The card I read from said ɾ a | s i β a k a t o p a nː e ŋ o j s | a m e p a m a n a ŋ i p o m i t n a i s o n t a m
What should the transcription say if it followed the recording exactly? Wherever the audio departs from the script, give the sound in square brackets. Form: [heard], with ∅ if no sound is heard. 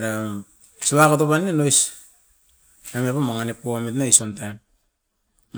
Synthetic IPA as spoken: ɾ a | s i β a k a t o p a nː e [n] o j s | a m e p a m a [ŋ] a [n] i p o m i t n a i s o n t a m